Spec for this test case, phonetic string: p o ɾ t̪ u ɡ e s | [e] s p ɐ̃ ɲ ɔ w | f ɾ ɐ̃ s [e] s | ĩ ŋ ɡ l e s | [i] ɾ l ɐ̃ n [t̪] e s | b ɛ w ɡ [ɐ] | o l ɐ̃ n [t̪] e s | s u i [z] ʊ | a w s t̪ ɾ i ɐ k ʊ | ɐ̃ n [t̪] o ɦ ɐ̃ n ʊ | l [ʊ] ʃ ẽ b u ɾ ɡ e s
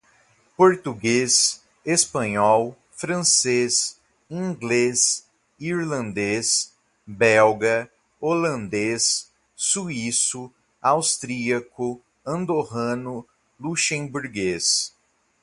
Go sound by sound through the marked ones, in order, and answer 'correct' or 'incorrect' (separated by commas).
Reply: correct, correct, correct, incorrect, correct, incorrect, incorrect, incorrect, incorrect